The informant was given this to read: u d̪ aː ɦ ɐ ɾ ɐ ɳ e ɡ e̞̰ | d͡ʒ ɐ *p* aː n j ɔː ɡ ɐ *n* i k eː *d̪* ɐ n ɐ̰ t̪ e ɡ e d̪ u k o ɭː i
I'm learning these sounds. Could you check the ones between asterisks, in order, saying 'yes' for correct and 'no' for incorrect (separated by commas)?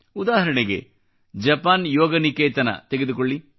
yes, yes, no